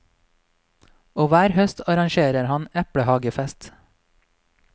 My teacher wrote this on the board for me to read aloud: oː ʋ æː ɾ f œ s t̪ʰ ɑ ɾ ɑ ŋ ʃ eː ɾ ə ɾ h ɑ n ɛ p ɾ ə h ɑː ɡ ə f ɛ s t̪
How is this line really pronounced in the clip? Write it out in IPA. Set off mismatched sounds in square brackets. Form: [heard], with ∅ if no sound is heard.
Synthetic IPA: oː ʋ æː ɾ [h] œ s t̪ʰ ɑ ɾ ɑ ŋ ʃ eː ɾ ə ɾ h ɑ n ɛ p [ɽ] ə h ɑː ɡ ə f ɛ s t̪